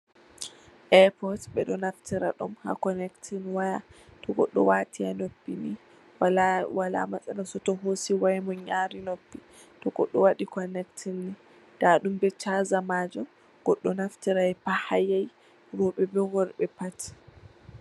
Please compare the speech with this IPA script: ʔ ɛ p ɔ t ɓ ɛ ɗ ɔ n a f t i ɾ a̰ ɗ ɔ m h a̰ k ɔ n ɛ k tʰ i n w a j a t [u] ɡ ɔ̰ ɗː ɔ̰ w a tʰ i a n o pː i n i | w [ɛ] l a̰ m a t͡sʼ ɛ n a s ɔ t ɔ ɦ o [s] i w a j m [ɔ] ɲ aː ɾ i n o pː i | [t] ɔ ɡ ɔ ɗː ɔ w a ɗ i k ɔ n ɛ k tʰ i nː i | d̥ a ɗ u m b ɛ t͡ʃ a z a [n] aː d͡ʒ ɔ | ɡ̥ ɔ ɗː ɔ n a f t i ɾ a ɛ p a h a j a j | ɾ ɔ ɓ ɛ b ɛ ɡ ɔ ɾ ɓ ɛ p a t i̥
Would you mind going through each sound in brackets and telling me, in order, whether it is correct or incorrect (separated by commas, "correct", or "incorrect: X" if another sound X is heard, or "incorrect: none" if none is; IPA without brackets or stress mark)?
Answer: incorrect: ɔ, incorrect: a, correct, correct, correct, incorrect: m